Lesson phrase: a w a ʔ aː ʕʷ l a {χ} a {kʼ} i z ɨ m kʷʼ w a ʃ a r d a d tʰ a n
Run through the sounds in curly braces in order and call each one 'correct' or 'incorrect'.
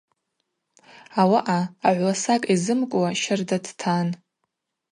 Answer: incorrect: s, correct

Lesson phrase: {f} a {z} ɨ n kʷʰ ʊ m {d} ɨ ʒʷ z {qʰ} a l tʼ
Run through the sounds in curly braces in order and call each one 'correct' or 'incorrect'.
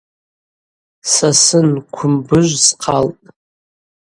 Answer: incorrect: s, incorrect: s, incorrect: b, correct

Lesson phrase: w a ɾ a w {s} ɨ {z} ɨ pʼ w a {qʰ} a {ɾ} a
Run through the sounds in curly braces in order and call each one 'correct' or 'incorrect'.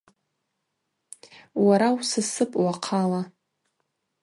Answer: correct, incorrect: s, correct, incorrect: l

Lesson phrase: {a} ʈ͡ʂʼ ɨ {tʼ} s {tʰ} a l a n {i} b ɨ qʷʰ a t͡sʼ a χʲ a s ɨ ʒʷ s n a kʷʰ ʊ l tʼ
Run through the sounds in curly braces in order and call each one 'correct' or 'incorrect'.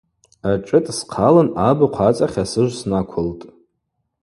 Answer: correct, correct, incorrect: qʰ, incorrect: a

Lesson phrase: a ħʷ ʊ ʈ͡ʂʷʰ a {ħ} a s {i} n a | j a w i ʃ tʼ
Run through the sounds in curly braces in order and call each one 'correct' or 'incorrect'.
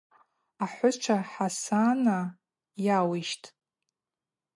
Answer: correct, incorrect: a

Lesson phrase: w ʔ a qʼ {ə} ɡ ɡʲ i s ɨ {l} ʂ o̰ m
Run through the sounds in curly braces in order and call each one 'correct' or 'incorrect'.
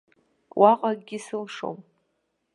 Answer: incorrect: a, correct

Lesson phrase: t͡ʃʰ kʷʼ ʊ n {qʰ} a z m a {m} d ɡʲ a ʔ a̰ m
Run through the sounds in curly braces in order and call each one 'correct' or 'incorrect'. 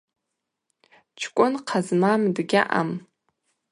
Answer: correct, correct

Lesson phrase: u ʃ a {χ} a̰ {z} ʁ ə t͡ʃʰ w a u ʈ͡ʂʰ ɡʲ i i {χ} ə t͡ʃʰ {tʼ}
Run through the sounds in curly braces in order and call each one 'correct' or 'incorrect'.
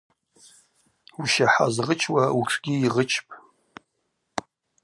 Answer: incorrect: ħ, correct, incorrect: ʁ, incorrect: pʼ

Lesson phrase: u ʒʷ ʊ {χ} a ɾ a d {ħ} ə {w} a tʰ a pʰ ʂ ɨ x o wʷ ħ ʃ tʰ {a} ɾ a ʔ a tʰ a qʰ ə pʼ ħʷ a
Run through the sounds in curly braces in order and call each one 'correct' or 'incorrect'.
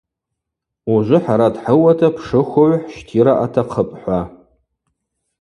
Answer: incorrect: ħ, correct, correct, incorrect: i

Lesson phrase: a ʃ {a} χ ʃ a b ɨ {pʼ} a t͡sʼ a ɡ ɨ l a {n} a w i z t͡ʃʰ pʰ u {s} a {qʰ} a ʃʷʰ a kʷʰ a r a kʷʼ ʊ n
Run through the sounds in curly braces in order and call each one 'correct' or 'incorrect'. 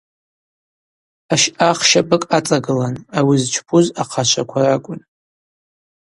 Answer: correct, incorrect: kʼ, correct, incorrect: z, correct

